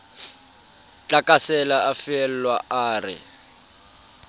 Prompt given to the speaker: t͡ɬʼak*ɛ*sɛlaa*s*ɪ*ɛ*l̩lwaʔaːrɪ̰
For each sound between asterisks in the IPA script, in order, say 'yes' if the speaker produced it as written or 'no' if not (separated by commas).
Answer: no, no, yes